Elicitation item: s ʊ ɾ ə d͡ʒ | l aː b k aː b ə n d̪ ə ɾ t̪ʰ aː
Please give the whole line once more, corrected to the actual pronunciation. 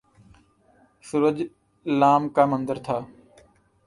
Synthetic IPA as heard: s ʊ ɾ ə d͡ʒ | l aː m k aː m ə n d̪ ə ɾ t̪ʰ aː